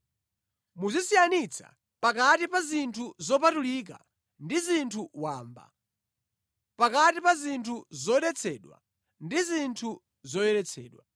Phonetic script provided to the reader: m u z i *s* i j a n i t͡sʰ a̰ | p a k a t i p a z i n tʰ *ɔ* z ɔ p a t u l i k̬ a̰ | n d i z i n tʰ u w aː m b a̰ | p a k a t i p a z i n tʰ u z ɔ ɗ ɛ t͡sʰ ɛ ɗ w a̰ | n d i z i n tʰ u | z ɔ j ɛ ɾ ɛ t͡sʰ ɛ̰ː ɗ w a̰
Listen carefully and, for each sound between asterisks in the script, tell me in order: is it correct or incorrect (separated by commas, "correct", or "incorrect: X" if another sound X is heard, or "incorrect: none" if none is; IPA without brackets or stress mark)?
correct, incorrect: u